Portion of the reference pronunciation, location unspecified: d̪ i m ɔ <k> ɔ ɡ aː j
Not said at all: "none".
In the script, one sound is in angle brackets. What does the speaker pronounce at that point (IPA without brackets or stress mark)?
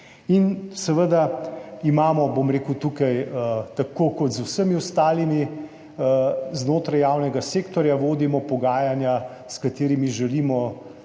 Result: p